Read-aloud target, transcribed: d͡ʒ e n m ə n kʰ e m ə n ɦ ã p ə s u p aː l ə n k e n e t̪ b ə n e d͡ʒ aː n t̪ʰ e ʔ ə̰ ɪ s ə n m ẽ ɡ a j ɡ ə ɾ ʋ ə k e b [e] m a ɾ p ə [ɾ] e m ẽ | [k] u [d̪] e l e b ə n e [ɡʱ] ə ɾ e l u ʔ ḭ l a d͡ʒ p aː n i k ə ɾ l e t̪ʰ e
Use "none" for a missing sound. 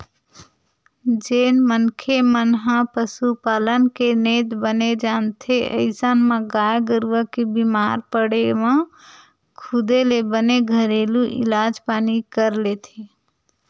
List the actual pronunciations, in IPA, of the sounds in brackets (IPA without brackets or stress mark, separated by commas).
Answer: i, ɽ, kʰ, d̪, ɡʱ